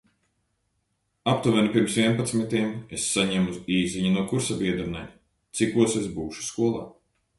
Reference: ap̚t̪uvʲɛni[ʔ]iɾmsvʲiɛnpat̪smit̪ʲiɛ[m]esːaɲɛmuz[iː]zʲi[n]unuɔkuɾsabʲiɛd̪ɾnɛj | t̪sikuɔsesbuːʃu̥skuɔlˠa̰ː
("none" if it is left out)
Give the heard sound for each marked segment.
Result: p, m, iː, ɲ

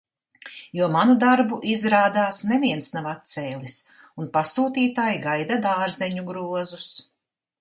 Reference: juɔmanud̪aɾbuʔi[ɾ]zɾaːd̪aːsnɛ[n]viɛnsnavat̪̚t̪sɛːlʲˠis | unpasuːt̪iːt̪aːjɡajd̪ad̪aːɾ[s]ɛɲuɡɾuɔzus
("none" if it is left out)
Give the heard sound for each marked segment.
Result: none, none, z

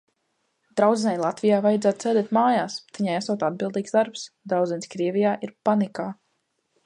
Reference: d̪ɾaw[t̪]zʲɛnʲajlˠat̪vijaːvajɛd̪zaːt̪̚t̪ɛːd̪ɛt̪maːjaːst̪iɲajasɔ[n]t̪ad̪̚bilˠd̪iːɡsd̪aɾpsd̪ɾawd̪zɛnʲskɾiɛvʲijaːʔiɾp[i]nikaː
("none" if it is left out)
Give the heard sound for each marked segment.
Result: d̪, none, a

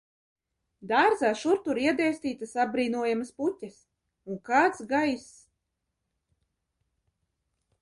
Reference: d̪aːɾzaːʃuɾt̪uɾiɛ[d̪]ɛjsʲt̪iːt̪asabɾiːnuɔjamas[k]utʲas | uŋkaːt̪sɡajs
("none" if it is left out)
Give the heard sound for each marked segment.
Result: d̪, p

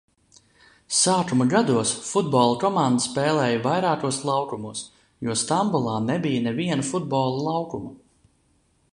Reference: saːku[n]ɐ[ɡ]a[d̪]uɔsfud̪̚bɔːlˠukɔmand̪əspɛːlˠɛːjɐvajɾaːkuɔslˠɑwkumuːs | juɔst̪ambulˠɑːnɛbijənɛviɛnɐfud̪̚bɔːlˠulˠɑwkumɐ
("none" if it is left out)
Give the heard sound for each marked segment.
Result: m, ɡ, d̪

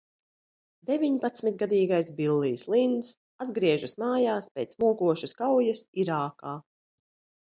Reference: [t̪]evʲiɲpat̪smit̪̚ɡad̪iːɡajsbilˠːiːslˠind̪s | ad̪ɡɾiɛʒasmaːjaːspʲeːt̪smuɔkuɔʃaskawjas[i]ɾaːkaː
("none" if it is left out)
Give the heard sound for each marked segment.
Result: d̪, i

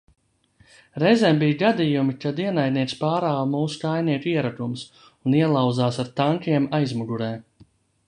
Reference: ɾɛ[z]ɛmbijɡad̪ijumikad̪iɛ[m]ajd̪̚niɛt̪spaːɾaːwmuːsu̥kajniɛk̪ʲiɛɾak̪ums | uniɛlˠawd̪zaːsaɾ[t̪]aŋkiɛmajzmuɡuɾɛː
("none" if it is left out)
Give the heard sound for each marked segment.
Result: z, n, t̪

